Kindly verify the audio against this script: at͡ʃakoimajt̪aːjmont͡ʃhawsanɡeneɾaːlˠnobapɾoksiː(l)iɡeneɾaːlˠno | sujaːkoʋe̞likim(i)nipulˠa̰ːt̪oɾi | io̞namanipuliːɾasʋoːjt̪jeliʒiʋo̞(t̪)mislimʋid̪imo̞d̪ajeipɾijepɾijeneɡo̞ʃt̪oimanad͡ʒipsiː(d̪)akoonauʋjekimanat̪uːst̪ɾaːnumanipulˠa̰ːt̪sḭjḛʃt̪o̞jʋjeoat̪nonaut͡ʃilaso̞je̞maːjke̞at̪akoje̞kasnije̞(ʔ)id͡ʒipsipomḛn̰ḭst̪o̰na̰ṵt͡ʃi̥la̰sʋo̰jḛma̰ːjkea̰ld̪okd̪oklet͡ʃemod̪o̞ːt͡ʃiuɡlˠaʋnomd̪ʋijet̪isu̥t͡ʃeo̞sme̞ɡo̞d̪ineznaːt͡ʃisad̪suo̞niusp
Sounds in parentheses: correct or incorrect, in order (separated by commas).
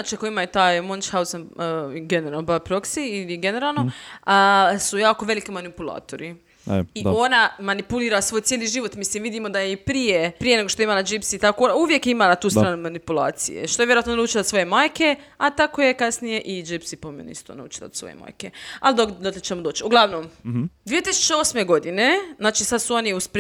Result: correct, incorrect, correct, incorrect, correct